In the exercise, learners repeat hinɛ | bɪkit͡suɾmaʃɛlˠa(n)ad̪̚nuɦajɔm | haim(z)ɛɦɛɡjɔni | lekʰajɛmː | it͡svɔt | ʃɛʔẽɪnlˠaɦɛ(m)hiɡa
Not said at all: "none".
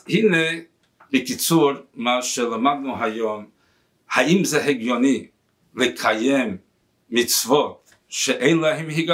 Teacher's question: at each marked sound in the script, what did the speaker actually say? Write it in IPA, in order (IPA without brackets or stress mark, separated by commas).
m, z, m